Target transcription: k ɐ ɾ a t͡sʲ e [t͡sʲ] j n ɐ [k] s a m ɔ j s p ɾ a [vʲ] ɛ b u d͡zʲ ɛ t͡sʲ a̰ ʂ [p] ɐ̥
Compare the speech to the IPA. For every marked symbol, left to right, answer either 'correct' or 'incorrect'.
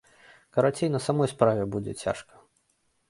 incorrect, incorrect, correct, incorrect

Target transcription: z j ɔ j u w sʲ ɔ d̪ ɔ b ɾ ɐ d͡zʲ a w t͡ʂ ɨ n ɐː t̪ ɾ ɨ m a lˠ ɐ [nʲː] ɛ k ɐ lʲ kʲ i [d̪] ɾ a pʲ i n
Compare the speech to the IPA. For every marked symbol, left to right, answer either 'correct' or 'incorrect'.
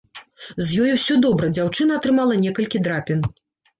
incorrect, correct

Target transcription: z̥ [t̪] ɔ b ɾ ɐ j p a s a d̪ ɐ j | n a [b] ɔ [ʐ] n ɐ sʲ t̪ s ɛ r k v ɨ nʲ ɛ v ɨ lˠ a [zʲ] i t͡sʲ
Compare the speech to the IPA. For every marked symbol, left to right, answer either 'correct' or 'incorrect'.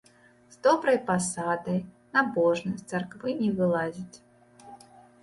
incorrect, correct, correct, correct

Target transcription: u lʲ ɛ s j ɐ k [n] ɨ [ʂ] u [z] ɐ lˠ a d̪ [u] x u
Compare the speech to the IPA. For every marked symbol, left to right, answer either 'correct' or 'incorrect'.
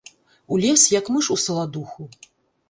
incorrect, correct, incorrect, correct

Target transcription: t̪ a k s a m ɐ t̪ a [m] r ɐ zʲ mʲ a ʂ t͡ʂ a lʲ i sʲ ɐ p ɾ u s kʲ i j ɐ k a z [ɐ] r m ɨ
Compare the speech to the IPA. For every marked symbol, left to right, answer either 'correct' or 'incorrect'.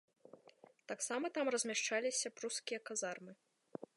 correct, incorrect

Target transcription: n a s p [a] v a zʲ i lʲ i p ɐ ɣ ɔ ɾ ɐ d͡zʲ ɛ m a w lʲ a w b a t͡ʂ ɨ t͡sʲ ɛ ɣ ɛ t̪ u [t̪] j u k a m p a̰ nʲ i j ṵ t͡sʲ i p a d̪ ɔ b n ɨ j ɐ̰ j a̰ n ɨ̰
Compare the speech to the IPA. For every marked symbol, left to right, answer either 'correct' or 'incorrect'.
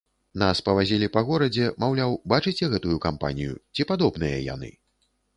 incorrect, incorrect

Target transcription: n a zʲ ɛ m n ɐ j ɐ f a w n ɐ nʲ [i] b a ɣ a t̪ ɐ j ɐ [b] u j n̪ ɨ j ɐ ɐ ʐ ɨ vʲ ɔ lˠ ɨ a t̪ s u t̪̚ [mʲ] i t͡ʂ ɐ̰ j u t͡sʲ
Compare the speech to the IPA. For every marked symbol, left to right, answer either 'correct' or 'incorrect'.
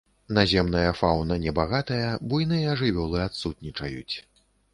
incorrect, correct, incorrect

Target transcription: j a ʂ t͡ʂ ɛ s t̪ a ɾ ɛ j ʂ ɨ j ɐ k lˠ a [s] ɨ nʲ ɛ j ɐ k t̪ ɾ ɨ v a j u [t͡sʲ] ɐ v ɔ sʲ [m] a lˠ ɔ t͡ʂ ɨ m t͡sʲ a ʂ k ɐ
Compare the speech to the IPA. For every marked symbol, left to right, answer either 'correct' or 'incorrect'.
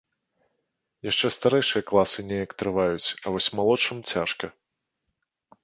correct, correct, correct

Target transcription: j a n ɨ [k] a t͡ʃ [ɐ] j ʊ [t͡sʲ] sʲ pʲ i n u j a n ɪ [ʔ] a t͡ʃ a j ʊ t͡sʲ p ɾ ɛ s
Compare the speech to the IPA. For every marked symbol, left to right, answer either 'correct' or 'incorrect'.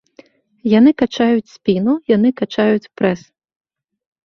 correct, incorrect, correct, incorrect

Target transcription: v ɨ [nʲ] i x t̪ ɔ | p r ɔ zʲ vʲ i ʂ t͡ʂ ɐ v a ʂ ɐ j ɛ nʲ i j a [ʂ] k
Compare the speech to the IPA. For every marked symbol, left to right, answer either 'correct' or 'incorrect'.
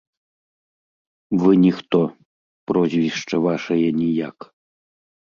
correct, incorrect

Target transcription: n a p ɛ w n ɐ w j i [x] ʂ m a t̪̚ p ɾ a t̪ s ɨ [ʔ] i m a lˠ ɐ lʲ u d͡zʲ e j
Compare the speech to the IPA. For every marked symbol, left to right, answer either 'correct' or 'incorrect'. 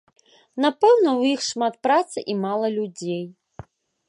correct, correct

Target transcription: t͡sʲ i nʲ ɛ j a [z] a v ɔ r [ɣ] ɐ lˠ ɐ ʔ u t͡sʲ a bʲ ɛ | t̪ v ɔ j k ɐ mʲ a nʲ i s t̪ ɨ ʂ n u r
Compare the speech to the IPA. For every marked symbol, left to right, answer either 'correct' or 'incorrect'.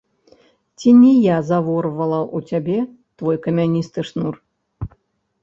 correct, incorrect

